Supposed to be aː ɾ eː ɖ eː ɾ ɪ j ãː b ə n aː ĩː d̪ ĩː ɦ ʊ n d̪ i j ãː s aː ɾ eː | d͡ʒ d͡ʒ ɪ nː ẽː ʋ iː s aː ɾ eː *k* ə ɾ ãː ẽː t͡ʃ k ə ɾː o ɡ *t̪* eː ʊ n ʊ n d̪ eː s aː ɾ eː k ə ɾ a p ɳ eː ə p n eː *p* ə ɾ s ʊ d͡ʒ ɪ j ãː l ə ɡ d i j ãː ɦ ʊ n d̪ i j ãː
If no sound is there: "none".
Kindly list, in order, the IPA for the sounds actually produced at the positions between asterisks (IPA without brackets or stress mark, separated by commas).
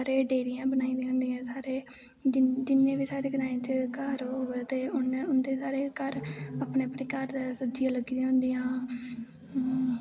ɡ, t̪, k